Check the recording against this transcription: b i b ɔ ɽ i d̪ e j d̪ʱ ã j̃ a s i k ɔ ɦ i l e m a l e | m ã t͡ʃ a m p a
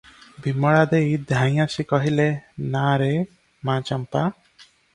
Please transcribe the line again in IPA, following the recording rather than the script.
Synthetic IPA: b i m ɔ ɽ a d̪ e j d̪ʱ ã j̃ a s i k ɔ ɦ i l e n a ɾ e | m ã t͡ʃ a m p a